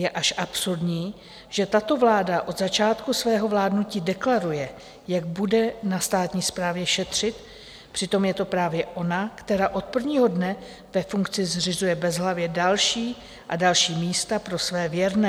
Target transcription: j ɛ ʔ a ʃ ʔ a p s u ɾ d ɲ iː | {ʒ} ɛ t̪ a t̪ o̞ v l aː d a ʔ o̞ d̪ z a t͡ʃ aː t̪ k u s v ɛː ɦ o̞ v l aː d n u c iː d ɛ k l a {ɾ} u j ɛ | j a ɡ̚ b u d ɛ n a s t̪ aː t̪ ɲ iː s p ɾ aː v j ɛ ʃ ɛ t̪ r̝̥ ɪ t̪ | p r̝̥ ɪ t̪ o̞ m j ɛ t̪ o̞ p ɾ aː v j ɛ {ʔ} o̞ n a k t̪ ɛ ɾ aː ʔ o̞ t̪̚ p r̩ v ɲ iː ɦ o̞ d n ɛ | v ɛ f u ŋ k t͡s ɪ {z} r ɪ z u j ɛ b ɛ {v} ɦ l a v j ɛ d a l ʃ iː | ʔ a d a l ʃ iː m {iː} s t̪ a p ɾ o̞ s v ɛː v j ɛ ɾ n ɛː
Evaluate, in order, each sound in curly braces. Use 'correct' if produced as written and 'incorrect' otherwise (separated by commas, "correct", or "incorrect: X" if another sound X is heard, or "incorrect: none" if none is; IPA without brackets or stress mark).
correct, correct, correct, correct, incorrect: z, correct